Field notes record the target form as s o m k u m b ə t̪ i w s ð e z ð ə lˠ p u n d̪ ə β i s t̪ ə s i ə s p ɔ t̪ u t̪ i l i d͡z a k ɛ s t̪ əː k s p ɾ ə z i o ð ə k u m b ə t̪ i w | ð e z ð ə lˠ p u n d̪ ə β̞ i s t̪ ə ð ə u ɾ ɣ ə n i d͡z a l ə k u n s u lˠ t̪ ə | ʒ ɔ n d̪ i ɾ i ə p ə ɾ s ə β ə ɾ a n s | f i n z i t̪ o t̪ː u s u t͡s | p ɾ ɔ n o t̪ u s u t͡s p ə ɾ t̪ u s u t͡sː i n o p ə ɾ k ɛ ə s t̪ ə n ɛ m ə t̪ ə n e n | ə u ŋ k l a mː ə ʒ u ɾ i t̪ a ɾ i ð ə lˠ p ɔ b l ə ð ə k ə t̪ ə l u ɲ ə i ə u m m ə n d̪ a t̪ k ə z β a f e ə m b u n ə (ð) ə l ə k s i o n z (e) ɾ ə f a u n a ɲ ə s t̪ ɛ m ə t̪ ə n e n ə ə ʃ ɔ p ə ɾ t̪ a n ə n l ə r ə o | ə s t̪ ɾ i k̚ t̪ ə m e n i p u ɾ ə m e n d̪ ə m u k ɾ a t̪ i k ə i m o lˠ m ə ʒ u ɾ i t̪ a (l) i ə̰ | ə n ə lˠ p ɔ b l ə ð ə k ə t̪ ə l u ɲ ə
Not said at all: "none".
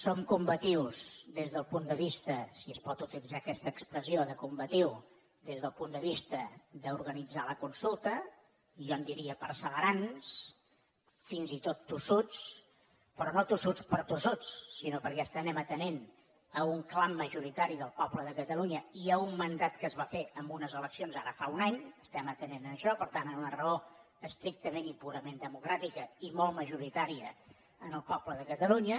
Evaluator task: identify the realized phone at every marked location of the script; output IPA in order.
z, a, ɾ

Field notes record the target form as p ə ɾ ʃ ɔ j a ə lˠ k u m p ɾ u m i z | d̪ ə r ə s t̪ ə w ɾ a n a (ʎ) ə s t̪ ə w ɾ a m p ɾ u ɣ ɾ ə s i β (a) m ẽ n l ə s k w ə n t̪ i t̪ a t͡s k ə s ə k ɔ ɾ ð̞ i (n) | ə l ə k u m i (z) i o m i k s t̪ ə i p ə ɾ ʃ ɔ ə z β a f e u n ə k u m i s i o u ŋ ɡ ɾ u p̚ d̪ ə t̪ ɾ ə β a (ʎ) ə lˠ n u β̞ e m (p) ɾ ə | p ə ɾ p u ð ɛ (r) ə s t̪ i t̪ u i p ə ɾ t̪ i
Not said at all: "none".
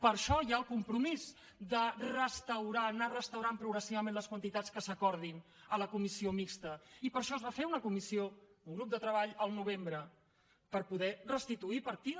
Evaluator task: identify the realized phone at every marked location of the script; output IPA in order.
r, ə, n, s, ʎ, b, r

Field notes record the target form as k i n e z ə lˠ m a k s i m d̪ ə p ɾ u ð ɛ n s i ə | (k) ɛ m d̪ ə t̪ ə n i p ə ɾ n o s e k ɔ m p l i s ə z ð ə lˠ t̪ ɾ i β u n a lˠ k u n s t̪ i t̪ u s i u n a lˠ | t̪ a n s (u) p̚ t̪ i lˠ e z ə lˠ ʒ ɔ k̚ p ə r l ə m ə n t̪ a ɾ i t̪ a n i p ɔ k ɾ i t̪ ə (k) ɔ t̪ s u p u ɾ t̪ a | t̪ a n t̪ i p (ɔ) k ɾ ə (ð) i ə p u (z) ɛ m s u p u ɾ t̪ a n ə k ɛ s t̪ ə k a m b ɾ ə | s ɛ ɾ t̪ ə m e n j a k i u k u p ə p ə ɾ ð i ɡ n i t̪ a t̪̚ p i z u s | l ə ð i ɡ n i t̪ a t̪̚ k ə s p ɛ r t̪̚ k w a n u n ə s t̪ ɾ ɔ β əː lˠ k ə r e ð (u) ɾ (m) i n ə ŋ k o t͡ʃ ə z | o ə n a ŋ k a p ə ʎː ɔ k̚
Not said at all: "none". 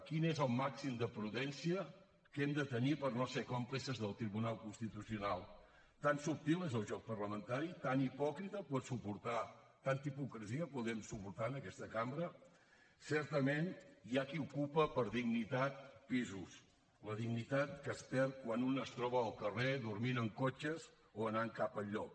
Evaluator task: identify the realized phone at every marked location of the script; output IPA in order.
k, u, p, u, z, ð, u, m

